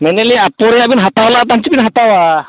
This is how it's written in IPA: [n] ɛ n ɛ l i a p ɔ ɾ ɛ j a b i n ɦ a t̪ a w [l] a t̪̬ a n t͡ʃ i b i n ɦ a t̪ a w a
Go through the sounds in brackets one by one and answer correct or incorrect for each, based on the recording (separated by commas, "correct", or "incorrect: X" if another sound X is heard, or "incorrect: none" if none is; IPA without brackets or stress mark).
incorrect: m, correct